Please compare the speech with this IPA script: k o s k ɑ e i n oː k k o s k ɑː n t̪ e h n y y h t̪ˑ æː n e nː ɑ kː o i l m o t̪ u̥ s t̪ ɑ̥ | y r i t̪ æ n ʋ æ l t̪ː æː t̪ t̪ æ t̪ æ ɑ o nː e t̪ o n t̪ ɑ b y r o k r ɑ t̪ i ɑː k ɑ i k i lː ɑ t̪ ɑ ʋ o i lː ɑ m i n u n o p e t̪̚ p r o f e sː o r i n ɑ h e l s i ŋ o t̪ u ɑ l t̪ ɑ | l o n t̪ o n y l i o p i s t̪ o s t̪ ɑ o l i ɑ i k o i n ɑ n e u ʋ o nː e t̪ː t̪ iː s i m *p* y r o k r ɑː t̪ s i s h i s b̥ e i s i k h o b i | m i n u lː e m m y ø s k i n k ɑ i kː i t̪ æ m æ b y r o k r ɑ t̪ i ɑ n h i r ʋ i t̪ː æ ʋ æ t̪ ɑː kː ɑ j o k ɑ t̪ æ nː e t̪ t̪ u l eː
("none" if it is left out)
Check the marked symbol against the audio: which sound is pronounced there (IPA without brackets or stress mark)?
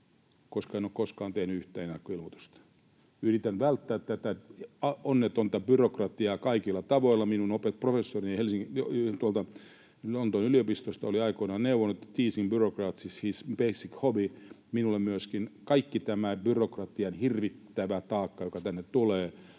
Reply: b